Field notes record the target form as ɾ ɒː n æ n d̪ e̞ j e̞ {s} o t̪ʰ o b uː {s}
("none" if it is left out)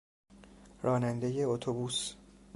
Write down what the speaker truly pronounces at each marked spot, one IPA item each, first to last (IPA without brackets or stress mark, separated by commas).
none, s